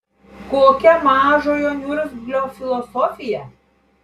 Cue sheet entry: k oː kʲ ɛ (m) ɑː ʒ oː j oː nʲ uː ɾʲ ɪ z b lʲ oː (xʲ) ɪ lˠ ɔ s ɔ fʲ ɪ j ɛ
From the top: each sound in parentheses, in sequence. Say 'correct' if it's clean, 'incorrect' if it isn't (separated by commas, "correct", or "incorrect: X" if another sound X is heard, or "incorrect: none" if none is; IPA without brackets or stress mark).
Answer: correct, incorrect: fʲ